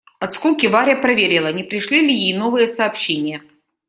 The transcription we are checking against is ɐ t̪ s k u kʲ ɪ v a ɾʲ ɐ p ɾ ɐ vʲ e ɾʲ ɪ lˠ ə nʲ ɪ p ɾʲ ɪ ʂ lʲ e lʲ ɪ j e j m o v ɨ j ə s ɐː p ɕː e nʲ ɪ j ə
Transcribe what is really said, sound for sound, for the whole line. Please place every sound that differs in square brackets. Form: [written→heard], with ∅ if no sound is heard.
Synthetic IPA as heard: ɐ t̪ s k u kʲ ɪ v a ɾʲ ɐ p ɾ ɐ vʲ e ɾʲ ɪ lˠ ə nʲ ɪ p ɾʲ ɪ ʂ lʲ [e→i] lʲ ɪ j e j [m→n] o v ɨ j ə s ɐː p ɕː e nʲ ɪ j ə